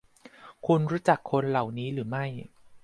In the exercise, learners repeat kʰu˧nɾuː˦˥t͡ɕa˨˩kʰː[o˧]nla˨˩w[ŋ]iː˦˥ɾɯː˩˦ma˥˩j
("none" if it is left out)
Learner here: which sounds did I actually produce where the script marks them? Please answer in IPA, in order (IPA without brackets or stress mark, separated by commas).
o˧, n